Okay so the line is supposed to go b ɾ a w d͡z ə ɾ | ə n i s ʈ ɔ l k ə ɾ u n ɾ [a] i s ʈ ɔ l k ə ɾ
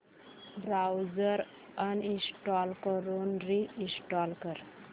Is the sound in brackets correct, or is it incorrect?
incorrect